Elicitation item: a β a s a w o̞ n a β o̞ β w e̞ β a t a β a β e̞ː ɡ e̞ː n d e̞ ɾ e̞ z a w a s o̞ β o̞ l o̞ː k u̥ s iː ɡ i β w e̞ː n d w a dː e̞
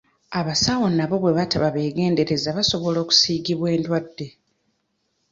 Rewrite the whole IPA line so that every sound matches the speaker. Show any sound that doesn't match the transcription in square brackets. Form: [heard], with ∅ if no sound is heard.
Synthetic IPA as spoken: a β a s a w o̞ n a β o̞ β w e̞ β a t a β a β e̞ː ɡ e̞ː n d e̞ ɾ e̞ z a [β] a s o̞ β o̞ l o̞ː k u̥ s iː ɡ i β w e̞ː n d w a dː e̞